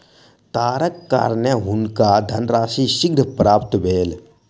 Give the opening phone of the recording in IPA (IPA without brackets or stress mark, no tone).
t̪